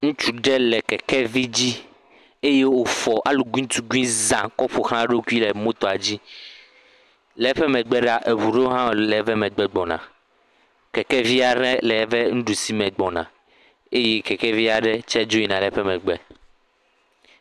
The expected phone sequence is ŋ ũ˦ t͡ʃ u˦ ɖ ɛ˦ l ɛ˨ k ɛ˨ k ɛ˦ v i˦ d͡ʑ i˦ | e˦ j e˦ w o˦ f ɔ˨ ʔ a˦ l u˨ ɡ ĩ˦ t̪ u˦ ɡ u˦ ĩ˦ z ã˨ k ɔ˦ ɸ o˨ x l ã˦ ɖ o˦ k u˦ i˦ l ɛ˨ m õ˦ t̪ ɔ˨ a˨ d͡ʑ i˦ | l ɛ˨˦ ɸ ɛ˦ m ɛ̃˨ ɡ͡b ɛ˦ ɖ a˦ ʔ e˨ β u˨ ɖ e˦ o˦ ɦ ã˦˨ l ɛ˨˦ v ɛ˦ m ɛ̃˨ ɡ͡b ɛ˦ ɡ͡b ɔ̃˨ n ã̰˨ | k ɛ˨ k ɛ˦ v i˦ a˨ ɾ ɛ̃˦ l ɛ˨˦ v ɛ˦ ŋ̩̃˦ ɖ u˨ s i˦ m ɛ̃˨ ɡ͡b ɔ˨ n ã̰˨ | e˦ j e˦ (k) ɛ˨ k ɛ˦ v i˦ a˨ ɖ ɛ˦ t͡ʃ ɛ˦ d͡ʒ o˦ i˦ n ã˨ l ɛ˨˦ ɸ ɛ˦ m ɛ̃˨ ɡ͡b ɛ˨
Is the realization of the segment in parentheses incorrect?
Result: no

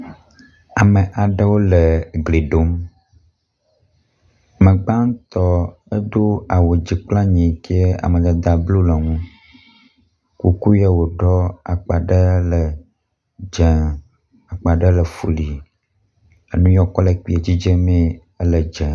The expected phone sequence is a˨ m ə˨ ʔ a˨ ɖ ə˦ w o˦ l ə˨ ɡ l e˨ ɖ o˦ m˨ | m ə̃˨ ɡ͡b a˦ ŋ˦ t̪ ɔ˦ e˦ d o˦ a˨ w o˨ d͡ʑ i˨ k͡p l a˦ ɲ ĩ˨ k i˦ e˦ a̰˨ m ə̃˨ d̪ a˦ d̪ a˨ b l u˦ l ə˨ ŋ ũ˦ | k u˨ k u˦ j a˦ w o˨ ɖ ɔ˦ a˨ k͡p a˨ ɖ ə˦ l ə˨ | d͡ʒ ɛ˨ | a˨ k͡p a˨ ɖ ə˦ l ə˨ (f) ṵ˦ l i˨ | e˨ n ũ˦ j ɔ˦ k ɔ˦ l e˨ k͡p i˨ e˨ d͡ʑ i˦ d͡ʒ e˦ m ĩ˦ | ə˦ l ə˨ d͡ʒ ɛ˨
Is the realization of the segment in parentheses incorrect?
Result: no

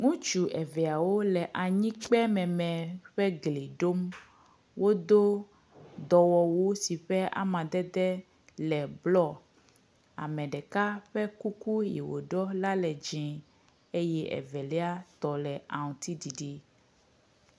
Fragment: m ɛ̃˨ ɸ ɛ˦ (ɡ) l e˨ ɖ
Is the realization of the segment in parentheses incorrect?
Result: no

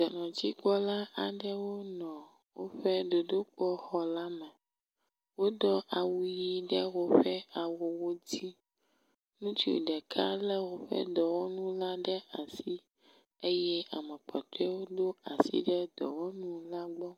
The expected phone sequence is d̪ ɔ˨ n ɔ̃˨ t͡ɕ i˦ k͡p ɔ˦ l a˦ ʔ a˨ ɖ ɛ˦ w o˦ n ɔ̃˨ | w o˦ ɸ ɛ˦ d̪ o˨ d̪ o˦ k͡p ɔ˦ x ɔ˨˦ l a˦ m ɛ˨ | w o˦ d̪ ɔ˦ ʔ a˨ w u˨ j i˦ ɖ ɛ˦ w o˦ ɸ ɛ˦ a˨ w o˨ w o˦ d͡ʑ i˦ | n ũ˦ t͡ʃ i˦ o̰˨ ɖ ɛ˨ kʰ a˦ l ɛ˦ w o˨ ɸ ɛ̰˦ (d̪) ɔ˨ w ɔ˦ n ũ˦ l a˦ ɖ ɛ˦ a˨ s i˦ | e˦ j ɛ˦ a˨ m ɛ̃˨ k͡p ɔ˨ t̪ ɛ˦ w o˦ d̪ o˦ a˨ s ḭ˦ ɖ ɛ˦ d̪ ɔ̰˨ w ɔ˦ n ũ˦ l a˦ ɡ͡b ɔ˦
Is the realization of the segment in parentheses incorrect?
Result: no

